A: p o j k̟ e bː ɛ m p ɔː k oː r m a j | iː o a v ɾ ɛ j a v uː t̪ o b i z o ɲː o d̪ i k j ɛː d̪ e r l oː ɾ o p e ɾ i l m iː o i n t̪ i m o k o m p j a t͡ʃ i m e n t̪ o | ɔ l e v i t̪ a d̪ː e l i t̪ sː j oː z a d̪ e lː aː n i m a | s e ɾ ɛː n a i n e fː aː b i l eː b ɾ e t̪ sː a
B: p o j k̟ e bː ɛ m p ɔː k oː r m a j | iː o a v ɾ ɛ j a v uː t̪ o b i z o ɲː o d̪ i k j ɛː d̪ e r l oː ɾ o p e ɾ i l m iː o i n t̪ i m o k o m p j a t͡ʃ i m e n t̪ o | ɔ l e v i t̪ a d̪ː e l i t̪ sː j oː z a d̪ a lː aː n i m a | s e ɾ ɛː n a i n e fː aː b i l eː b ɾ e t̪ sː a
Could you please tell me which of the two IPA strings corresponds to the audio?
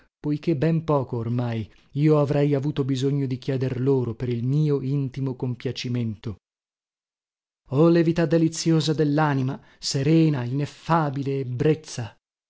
A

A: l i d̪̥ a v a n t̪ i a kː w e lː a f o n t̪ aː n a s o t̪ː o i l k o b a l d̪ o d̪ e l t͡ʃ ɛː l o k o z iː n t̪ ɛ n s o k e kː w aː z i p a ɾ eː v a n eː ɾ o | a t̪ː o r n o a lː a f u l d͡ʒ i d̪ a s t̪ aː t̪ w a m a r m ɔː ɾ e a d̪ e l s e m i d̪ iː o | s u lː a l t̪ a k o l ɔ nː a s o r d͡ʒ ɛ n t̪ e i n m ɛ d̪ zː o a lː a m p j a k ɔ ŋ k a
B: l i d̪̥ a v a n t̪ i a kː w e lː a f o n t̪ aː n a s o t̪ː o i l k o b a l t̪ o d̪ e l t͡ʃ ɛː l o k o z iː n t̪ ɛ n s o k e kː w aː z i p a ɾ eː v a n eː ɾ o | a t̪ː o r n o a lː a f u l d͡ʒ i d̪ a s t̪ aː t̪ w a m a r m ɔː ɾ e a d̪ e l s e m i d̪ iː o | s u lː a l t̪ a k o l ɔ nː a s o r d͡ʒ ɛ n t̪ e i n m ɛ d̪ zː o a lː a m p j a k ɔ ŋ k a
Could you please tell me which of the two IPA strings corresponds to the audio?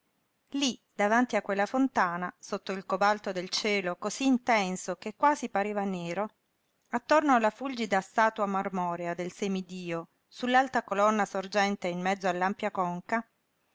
B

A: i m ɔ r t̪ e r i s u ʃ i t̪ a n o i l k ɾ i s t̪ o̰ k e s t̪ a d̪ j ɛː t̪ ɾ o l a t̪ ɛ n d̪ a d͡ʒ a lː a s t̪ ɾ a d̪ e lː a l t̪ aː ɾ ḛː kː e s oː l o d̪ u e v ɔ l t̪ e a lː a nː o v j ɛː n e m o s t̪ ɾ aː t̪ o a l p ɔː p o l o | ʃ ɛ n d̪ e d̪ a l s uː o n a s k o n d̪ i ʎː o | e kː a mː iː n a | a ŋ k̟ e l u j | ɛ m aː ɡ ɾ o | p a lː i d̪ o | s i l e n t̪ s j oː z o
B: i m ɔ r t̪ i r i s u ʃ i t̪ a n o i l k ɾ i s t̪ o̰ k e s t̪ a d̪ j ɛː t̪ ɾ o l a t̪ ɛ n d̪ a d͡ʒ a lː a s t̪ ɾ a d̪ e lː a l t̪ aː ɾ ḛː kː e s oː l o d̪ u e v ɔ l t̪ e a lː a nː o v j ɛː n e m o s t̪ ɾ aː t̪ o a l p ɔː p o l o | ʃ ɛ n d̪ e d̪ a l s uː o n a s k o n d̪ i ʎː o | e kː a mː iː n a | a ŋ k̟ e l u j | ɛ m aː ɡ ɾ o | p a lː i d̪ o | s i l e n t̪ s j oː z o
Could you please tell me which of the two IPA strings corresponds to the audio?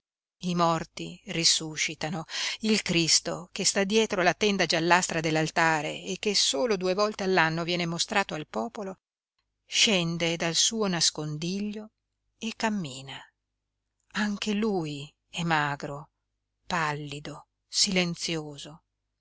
B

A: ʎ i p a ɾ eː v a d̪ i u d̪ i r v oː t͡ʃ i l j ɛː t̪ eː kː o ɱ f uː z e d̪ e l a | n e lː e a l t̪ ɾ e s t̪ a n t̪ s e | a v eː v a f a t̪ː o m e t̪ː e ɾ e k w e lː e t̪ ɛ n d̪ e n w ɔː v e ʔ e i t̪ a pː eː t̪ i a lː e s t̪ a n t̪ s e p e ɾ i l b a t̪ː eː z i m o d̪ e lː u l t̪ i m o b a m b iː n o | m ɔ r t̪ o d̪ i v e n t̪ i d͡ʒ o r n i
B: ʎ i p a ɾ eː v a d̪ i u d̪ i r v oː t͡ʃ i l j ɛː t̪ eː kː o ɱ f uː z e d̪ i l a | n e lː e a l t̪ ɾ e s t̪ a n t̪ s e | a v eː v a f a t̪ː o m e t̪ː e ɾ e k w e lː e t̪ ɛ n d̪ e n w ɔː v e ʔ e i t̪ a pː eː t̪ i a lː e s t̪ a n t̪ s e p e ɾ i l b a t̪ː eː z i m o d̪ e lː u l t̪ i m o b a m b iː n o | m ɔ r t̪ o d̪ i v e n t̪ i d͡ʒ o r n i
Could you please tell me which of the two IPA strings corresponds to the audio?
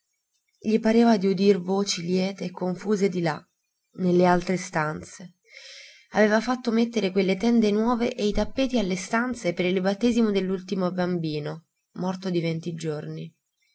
B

